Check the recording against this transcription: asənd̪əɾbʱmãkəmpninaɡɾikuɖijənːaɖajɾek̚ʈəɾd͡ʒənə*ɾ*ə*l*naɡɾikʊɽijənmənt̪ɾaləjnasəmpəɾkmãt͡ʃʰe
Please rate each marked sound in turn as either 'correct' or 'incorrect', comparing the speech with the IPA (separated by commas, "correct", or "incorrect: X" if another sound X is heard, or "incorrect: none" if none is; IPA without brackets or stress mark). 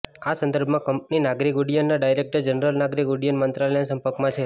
correct, correct